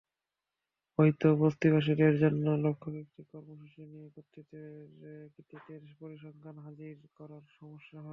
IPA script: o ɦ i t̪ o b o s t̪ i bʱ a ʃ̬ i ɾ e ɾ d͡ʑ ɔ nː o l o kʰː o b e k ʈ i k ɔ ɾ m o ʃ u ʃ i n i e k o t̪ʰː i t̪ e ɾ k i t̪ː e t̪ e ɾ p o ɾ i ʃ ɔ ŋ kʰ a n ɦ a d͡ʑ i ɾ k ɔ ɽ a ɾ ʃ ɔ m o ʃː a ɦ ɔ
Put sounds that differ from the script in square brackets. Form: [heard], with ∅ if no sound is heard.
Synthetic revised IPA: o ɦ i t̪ o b o s t̪ i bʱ a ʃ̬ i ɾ e ɾ d͡ʑ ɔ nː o l o kʰː o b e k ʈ i k ɔ ɾ m o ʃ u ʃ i n i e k o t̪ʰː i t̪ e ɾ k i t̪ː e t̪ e ɾ p o ɾ i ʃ ɔ ŋ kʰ a n ɦ a d͡ʑ i ɾ k ɔ [ɾ] a ɾ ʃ ɔ m o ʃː a ɦ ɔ